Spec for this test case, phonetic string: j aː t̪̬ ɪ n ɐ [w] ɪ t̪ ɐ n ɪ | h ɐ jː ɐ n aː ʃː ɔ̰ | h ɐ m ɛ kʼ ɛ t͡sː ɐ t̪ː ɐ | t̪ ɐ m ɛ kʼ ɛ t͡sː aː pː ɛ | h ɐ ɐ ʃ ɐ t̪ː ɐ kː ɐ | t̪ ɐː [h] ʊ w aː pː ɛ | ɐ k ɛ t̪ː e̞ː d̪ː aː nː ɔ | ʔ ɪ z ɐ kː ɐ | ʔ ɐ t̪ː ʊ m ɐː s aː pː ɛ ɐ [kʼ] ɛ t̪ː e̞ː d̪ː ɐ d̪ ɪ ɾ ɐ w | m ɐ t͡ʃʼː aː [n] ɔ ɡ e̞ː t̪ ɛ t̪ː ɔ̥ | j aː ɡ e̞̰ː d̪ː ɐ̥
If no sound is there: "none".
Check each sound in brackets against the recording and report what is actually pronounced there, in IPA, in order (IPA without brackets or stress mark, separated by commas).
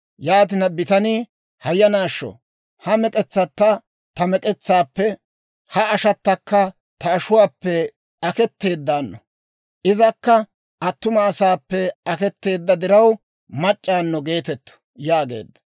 b, ʃ, k, nː